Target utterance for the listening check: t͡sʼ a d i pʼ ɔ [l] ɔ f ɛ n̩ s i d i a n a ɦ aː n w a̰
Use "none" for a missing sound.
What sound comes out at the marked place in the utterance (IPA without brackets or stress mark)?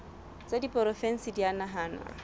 ɾ